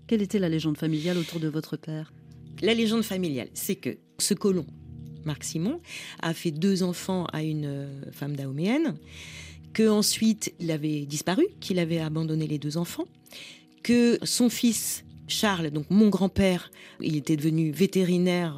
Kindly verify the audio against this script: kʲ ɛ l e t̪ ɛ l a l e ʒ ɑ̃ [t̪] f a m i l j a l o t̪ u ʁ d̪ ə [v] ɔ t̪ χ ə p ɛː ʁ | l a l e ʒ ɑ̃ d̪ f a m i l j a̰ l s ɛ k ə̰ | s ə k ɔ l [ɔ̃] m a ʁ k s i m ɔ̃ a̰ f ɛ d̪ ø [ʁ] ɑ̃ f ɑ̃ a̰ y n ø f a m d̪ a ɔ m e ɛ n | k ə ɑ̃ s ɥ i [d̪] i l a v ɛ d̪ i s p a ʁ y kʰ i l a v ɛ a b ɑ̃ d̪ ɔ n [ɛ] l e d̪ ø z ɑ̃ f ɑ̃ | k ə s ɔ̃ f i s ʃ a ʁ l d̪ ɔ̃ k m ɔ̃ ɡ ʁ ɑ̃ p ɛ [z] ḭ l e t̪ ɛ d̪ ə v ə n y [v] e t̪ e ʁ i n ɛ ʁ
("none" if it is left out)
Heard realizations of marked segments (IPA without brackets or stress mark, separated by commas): d̪, v, ɔ̃, z, t̪, e, ʁ, v